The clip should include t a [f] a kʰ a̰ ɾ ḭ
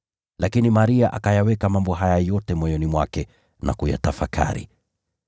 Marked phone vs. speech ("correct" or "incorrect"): correct